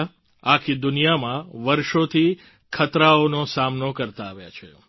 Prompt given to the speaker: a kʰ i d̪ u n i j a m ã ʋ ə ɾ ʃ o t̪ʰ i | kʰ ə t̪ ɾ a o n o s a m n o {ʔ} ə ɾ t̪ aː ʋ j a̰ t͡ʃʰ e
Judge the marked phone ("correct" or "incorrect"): incorrect